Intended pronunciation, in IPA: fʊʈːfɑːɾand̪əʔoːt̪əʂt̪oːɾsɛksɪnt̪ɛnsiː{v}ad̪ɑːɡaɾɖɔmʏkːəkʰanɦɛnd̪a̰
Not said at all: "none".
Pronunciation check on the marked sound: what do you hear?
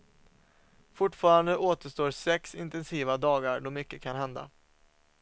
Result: v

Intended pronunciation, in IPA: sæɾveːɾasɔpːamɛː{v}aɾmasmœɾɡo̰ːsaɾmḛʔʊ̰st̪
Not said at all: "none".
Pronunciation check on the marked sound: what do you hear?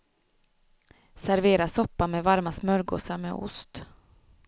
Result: v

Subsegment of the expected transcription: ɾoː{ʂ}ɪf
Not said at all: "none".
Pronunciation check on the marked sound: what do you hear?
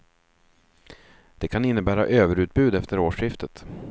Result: ʂ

